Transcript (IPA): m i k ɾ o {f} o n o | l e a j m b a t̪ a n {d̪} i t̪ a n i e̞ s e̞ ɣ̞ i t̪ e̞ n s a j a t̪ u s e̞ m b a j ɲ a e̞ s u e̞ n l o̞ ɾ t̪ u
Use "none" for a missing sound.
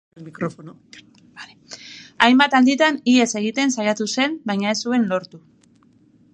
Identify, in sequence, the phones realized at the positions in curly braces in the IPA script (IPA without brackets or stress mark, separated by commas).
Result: f, d̪